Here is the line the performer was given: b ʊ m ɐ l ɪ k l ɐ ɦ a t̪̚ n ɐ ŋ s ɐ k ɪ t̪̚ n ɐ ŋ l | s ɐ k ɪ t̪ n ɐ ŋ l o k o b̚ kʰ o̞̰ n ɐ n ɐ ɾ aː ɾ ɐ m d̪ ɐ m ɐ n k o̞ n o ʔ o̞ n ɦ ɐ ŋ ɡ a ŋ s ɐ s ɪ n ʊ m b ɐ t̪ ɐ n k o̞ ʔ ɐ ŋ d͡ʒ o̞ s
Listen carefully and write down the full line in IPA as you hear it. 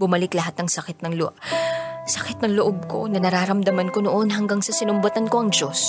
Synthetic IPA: b ʊ m ɐ l ɪ k l ɐ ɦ a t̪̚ n ɐ ŋ s ɐ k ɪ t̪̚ n ɐ ŋ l | s ɐ k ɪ t̪ n ɐ ŋ l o ʔ o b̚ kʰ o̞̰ n ɐ n ɐ ɾ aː ɾ ɐ m d̪ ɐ m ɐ n k o̞ n o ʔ o̞ n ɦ ɐ ŋ ɡ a ŋ s ɐ s ɪ n ʊ m b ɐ t̪ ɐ n k o̞ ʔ ɐ ŋ d͡ʒ o̞ s